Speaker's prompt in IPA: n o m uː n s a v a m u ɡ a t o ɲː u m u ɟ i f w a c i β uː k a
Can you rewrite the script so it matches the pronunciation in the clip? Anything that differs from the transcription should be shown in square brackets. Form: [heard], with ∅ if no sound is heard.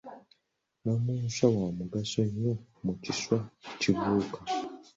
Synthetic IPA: n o m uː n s a [w] a m u ɡ a [s] o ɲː [o] m u [c] i [s] w a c i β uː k a